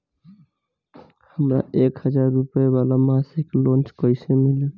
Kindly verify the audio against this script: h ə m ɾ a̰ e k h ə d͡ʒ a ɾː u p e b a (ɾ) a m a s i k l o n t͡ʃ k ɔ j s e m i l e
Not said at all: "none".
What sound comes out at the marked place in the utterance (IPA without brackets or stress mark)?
l